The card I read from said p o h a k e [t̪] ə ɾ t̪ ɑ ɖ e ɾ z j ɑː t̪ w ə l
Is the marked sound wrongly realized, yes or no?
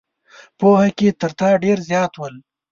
no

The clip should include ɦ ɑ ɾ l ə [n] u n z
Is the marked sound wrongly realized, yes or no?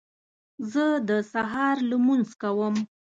yes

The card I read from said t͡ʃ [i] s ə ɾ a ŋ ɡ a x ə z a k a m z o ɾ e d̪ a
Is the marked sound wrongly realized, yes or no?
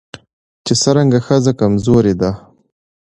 yes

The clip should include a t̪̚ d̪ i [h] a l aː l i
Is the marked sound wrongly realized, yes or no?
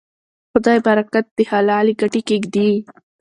no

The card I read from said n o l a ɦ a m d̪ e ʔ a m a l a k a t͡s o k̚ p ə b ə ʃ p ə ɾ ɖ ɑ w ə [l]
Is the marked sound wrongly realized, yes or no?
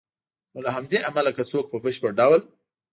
no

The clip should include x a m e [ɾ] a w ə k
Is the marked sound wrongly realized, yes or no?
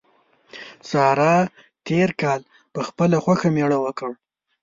yes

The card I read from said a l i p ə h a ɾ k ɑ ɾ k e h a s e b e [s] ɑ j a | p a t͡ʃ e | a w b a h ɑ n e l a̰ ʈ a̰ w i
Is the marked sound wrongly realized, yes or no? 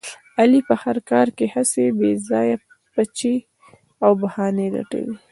yes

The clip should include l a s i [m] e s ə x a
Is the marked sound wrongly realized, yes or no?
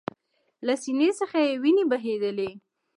yes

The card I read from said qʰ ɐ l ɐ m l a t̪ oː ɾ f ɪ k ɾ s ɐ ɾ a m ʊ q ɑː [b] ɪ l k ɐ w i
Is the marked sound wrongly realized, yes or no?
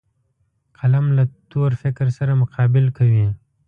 no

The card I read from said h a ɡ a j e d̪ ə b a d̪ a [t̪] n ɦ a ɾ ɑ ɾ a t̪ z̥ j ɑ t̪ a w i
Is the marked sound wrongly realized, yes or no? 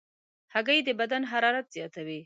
yes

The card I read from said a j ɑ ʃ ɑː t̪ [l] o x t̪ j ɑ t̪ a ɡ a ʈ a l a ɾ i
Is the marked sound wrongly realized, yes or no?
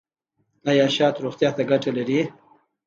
yes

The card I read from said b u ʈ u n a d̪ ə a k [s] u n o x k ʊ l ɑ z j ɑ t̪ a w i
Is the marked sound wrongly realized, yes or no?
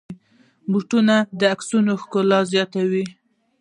no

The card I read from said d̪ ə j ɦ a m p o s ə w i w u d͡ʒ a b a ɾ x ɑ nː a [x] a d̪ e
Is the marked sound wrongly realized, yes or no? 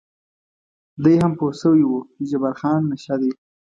yes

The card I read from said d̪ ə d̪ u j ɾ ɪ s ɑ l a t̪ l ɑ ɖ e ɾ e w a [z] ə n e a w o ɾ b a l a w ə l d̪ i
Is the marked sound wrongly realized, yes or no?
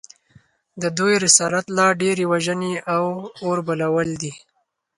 yes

